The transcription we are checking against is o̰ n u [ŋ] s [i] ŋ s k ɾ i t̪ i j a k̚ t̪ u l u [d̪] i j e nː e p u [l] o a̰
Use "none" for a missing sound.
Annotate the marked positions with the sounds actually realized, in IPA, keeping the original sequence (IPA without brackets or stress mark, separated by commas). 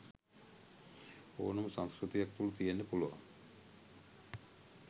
m, a, t̪, l